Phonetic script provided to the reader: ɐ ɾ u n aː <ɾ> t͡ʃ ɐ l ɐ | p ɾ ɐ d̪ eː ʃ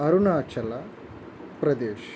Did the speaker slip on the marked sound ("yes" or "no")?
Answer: yes